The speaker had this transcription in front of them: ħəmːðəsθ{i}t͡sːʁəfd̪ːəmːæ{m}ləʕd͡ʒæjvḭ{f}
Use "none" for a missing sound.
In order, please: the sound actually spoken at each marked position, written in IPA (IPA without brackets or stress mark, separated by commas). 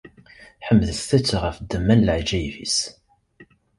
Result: æ, n, s